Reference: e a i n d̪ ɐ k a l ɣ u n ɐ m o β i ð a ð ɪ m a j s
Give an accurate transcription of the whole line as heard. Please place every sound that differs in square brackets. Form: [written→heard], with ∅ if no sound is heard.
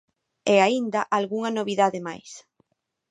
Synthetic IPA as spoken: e a i n d̪ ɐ [k→ʔ] a l ɣ u [n→ŋ] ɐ [m→n] o β i ð a ð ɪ m a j s